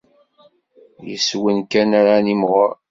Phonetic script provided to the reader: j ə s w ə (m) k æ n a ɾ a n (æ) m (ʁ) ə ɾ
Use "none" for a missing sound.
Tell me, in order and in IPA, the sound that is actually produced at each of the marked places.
n, i, ʁ

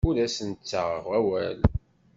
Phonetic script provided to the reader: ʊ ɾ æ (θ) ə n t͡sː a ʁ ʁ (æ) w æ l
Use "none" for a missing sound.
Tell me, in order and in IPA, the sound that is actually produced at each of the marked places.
s, æ

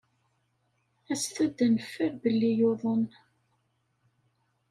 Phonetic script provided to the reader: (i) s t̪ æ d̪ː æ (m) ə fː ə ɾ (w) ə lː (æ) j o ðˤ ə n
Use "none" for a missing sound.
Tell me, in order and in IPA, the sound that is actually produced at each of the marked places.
æ, n, b, i

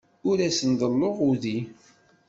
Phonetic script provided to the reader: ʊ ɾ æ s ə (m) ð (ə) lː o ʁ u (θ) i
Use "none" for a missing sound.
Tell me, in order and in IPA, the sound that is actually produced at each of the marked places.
n, ə, ð

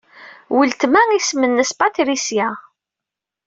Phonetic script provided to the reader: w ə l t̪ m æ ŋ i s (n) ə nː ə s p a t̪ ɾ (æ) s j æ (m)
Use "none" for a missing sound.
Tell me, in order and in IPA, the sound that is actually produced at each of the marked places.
m, i, none

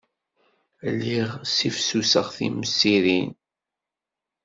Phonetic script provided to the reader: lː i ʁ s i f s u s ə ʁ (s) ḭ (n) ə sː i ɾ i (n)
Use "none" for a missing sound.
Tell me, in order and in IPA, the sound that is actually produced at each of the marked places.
θ, m, n

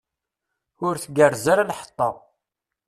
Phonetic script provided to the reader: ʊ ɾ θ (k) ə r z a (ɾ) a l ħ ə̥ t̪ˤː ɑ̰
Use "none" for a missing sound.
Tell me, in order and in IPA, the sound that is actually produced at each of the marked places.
ɡ, ɾ

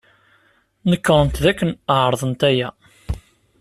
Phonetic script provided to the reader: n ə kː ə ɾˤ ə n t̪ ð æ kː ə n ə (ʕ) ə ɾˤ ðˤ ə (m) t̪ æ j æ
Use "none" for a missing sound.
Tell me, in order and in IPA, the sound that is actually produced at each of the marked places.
ʕ, n

